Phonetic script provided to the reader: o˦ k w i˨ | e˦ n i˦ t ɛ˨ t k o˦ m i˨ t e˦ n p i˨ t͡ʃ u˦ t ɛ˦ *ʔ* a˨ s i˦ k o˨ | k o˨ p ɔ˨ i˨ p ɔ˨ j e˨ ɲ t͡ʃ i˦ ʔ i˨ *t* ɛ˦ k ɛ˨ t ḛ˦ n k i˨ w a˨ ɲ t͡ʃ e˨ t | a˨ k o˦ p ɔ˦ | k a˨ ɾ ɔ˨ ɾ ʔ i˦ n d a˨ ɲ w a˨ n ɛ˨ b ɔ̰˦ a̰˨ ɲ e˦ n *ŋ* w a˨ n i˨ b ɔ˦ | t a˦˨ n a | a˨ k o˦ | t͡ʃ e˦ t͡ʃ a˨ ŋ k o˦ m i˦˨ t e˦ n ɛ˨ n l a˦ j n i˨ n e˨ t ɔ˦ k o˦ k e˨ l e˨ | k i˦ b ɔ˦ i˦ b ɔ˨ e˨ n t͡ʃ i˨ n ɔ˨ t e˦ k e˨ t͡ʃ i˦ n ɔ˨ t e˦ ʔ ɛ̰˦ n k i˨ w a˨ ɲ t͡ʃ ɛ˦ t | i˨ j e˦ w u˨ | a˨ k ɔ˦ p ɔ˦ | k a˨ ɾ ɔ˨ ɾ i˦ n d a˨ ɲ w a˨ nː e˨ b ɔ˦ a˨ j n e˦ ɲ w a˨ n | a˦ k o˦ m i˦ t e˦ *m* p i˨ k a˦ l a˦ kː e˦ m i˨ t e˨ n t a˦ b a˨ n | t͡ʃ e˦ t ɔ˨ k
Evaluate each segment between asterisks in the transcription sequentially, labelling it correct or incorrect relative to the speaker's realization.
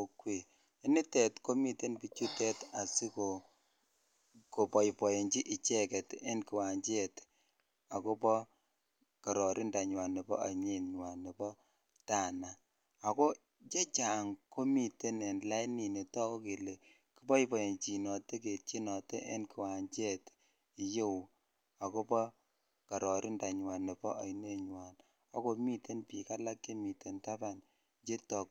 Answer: incorrect: t, incorrect: t͡ʃ, incorrect: ɲ, incorrect: n

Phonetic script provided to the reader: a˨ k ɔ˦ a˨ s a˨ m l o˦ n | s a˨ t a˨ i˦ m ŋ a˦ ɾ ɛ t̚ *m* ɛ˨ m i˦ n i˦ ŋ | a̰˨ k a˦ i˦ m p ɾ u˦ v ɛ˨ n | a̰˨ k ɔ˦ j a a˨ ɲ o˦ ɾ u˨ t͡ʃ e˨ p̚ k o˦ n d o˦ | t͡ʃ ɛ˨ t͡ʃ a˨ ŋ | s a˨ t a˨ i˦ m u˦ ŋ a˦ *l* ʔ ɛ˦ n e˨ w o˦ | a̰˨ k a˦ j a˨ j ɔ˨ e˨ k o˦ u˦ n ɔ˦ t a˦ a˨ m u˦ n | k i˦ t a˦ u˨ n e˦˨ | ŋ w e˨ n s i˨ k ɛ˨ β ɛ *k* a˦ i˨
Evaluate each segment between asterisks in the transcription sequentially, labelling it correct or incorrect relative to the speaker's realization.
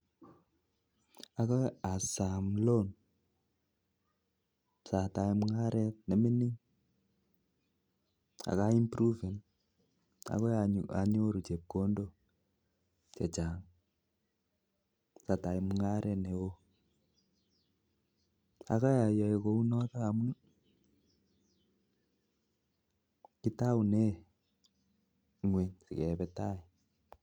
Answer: incorrect: n, incorrect: ɾ, incorrect: t

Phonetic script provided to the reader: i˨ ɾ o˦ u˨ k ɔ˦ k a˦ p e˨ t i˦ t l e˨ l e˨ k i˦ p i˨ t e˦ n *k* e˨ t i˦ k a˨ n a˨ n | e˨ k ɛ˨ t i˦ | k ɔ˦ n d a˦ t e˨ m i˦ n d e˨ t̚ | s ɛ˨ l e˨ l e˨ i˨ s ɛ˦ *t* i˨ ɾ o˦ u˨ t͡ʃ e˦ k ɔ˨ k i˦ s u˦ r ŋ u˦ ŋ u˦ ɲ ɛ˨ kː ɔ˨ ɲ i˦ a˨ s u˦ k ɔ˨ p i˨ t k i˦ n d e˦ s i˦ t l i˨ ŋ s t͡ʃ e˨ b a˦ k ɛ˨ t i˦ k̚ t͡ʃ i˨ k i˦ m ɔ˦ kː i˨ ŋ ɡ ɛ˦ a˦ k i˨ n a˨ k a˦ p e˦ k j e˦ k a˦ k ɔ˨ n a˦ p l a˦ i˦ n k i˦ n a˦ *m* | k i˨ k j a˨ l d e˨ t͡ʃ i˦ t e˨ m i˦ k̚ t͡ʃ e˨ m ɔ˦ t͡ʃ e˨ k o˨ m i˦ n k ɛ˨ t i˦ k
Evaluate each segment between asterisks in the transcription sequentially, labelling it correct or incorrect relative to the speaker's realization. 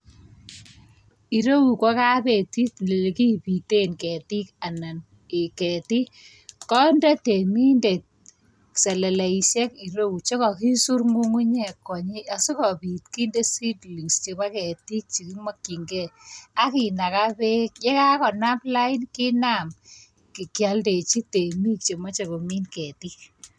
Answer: correct, incorrect: k, correct

